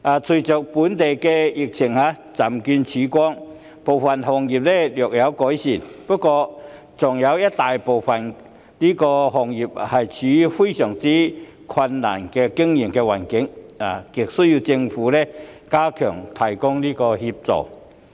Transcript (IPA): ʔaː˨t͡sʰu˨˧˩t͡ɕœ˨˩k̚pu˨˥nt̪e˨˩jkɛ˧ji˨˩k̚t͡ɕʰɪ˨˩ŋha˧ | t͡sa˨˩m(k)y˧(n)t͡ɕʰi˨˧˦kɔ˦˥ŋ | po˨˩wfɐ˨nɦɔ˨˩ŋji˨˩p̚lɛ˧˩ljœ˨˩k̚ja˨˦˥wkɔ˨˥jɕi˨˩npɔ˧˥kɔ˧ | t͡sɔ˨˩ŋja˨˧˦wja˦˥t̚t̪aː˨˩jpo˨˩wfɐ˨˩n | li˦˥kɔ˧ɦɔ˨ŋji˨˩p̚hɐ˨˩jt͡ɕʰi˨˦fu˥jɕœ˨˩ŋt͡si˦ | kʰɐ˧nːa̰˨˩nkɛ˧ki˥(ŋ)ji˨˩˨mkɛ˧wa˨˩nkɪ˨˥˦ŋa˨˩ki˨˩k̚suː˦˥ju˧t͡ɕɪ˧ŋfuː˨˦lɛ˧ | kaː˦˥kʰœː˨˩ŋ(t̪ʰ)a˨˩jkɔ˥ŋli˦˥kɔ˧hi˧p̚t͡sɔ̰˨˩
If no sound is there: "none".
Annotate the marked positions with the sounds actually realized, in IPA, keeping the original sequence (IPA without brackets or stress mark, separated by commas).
k, n, ŋ, t̪ʰ